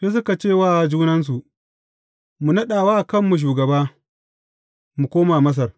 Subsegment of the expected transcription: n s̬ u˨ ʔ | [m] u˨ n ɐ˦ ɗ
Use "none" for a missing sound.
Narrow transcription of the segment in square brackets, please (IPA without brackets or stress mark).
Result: m